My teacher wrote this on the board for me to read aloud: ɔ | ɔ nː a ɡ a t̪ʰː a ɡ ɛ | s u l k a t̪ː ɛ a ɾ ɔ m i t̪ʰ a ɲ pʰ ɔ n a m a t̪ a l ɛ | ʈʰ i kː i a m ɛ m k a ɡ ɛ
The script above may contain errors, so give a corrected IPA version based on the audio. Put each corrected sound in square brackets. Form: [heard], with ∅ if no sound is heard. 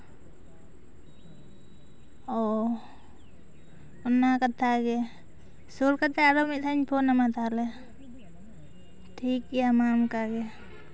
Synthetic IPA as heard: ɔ | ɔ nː a [k] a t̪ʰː a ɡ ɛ | s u l k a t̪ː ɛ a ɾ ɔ m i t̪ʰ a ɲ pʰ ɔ n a m a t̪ a l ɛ | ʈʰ i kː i a m [a] m k a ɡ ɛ

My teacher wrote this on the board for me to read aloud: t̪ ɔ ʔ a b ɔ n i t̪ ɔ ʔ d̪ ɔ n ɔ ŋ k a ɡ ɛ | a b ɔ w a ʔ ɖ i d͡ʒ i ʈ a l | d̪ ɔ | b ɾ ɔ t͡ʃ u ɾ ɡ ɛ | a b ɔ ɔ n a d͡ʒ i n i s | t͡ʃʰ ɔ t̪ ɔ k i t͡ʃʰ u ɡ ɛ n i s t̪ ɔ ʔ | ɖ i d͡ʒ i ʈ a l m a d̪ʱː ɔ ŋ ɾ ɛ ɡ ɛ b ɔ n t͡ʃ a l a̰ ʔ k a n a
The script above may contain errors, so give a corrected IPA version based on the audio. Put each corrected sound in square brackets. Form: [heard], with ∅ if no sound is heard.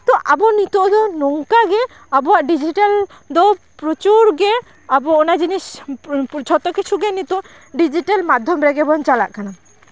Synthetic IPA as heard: t̪ ɔ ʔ a b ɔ n i t̪ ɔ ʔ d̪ ɔ n ɔ ŋ k a ɡ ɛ | a b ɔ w a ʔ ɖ i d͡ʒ i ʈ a l | d̪ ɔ | [p] ɾ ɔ t͡ʃ u ɾ ɡ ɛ | a b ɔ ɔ n a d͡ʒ i n i s | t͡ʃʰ ɔ t̪ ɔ k i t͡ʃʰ u ɡ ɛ n i [∅] t̪ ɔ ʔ | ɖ i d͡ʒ i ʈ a l m a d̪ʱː ɔ [m] ɾ ɛ ɡ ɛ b ɔ n t͡ʃ a l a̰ ʔ k a n a

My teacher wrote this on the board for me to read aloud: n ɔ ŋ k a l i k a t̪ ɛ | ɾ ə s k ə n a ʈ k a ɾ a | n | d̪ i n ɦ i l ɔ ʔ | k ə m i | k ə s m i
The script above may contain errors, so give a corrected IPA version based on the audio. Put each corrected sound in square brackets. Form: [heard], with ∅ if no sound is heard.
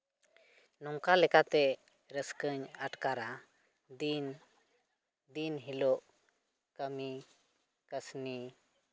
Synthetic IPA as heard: n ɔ ŋ k a l [ɛ] k a t̪ ɛ | ɾ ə s k ə [ɲ] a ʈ k a ɾ a | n | d̪ i n ɦ i l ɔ ʔ | k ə m i | k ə s [n] i

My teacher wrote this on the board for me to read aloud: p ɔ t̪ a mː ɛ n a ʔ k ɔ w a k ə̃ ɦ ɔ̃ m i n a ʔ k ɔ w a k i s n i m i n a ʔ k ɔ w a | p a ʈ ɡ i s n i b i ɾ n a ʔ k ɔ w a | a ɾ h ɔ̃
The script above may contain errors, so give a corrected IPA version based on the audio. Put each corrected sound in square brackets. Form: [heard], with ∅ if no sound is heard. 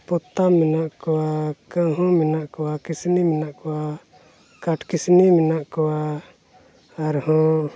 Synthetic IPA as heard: p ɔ t̪ a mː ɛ n a ʔ k ɔ w a k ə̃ ɦ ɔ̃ m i n a ʔ k ɔ w a k i s n i m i n a ʔ k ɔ w a | [k] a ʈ [k] i s n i [m] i [∅] n a ʔ k ɔ w a | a ɾ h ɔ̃

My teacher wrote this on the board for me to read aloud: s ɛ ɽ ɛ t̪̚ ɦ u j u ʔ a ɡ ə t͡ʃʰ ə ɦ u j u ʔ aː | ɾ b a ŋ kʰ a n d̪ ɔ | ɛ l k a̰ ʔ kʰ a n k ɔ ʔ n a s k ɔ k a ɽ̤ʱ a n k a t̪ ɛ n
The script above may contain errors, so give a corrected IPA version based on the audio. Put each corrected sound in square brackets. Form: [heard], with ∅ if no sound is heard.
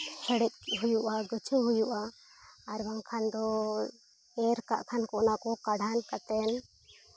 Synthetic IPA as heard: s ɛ ɽ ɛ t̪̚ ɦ u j u ʔ a ɡ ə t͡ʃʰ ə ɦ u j u ʔ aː | ɾ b a ŋ kʰ a n d̪ ɔ | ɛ [ɾ] k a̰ ʔ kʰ a n k ɔ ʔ n a [∅] k ɔ k a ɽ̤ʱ a n k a t̪ ɛ n

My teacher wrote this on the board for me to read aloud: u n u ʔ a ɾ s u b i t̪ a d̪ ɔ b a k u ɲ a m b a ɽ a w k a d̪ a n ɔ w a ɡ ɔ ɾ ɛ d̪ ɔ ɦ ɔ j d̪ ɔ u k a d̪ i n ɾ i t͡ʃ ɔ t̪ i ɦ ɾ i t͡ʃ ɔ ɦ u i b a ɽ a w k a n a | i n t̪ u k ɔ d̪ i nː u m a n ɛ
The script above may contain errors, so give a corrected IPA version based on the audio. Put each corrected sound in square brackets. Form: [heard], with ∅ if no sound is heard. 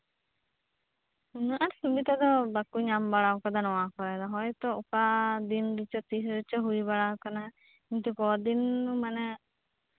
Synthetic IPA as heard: u n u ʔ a ɾ s u b i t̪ a d̪ ɔ b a k u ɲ a m b a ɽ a w k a d̪ a n ɔ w a [k] ɔ ɾ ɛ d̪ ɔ ɦ ɔ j [t̪] ɔ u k a d̪ i n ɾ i t͡ʃ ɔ t̪ i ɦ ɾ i t͡ʃ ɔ ɦ u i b a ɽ a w k a n a | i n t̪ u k ɔ d̪ i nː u m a n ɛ

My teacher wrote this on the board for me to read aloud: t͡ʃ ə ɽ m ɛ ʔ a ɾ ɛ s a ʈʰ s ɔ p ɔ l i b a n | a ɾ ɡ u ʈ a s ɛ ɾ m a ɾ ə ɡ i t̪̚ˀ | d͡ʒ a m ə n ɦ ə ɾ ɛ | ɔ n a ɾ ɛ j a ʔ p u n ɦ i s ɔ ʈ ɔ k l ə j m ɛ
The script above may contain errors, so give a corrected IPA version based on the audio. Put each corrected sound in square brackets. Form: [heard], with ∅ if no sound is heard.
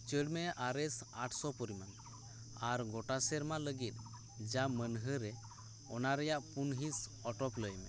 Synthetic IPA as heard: t͡ʃ ə ɽ m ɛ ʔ a ɾ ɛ s a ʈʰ s ɔ p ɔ [ɾ] i [m] a n | a ɾ ɡ [ɔ] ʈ a s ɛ ɾ m a [l] ə ɡ i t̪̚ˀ | d͡ʒ a m ə n ɦ ə ɾ ɛ | ɔ n a ɾ ɛ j a ʔ p u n ɦ i s ɔ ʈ ɔ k l ə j m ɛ

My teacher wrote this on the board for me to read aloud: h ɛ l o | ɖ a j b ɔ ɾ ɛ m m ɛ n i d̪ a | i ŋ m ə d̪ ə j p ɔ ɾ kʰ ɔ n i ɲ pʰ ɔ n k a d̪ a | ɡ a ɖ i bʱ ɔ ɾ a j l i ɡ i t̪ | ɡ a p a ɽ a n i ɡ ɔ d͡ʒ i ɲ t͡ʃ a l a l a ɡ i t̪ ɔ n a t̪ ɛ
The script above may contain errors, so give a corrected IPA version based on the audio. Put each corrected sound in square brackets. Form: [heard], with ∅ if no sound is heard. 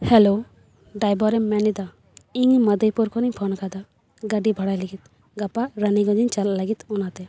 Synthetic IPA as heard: h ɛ l o | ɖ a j b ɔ ɾ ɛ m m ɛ n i d̪ a | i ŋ m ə d̪ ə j p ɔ ɾ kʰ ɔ n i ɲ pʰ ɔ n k a d̪ a | ɡ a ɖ i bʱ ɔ [ɽ] a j l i ɡ i t̪ | ɡ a p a [ɾ] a n i ɡ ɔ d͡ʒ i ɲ t͡ʃ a l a l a ɡ i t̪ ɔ n a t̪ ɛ

